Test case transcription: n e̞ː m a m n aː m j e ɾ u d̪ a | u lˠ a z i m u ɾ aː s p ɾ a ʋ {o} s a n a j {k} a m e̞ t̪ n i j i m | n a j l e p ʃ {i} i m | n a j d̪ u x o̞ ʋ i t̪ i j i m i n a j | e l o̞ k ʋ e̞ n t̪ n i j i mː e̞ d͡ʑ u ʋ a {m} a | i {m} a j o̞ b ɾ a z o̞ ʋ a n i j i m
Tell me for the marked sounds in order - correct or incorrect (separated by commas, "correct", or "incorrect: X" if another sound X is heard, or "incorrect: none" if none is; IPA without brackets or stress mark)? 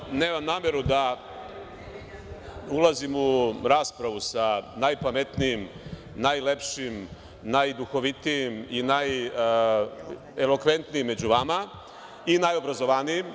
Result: incorrect: u, incorrect: p, correct, correct, incorrect: n